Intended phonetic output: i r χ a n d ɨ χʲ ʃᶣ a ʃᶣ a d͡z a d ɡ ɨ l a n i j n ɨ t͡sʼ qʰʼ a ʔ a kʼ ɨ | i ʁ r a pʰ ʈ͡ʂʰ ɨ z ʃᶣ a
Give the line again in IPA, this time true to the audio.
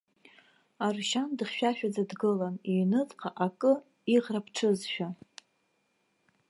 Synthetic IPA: a r ʃ a n d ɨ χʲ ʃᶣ a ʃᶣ a d͡z a d ɡ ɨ l a n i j n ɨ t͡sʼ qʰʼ a ʔ a kʼ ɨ | i ʁ r a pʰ ʈ͡ʂʰ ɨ z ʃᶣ a